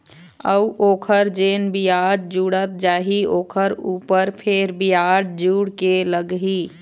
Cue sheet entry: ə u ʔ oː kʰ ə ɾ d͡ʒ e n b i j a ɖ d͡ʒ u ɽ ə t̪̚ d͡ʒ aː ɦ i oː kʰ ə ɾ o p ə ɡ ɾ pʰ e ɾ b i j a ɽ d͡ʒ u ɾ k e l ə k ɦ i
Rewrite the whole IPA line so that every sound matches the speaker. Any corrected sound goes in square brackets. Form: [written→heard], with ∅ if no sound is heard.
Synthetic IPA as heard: ə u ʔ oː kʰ ə ɾ d͡ʒ e n b i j a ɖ d͡ʒ u ɽ ə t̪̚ d͡ʒ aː ɦ i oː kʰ ə ɾ [o→u] p ə [ɡ→∅] ɾ pʰ e ɾ b i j a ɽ d͡ʒ u [ɾ→ɽ] k e l ə [k→ɡ] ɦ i